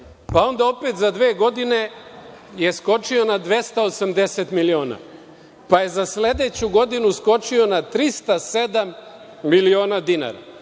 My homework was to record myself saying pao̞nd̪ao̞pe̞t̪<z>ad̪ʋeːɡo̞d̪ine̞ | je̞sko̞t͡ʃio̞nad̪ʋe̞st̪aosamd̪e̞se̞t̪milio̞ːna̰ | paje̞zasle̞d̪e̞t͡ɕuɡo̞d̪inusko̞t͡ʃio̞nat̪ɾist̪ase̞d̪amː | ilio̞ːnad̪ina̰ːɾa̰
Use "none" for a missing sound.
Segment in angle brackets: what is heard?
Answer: z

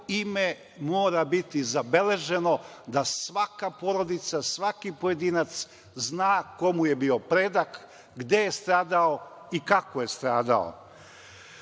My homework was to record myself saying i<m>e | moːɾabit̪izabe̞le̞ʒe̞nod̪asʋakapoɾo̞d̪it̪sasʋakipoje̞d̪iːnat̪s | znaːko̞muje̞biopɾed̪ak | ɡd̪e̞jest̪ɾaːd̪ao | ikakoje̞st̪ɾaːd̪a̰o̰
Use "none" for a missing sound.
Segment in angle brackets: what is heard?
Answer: m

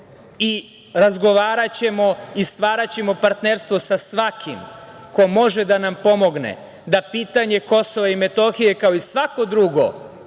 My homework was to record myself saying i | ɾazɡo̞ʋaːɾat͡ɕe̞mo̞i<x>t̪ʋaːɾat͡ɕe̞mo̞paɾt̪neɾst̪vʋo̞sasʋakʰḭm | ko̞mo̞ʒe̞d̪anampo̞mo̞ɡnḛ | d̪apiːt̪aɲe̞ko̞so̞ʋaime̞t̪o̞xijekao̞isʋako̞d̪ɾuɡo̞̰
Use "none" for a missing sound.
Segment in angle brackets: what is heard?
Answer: s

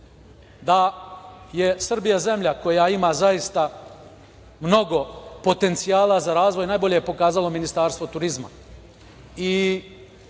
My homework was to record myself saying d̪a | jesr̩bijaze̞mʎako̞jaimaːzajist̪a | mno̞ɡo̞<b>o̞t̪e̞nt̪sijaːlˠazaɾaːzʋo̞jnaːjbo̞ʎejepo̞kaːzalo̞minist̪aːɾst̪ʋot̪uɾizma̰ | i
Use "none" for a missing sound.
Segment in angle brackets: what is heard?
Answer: p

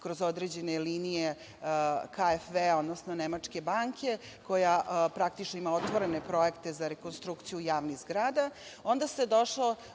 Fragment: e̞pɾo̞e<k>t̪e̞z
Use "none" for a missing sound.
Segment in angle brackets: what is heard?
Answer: k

